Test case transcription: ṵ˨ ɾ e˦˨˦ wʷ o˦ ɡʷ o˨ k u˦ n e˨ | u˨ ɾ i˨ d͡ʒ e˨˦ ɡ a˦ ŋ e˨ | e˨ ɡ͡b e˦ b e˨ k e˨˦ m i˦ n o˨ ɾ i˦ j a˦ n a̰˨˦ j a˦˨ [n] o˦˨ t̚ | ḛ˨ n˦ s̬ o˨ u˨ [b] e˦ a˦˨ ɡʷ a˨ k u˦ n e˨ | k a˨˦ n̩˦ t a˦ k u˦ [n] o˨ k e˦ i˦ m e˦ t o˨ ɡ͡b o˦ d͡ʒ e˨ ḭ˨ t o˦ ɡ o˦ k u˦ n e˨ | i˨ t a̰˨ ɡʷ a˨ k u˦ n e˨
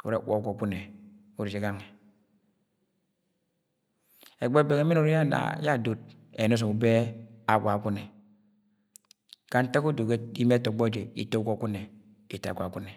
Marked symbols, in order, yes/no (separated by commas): no, yes, no